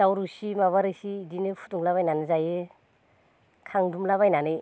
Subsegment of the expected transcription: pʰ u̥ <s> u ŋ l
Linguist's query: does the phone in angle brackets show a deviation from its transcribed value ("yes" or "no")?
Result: yes